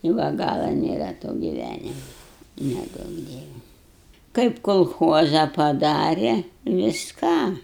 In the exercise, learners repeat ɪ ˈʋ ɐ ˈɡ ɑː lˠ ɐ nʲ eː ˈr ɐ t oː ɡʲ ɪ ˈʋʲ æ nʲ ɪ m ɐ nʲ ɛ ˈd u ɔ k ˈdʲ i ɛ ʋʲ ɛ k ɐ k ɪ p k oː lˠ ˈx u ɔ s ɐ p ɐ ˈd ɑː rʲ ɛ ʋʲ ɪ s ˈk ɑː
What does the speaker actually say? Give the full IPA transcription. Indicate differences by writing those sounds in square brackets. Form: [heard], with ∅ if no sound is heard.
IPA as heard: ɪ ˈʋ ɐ ˈɡ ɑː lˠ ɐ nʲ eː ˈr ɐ t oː ɡʲ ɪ ˈʋʲ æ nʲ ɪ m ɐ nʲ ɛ ˈd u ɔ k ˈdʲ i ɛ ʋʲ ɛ k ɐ [∅] ɪ p k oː lˠ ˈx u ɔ [z] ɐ p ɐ ˈd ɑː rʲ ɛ ʋʲ ɪ s ˈk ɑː